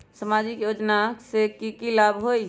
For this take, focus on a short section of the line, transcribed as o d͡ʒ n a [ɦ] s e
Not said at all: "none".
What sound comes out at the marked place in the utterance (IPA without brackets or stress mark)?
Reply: none